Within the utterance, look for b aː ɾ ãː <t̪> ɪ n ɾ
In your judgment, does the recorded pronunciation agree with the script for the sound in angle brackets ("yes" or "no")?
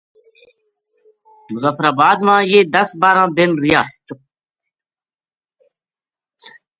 no